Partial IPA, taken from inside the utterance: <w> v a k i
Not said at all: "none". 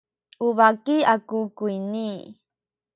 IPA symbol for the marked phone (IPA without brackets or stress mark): u